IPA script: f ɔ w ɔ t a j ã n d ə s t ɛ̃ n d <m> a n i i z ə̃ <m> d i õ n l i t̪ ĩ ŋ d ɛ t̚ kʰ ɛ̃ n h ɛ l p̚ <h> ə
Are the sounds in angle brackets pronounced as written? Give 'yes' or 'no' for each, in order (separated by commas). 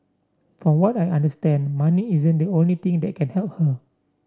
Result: yes, no, yes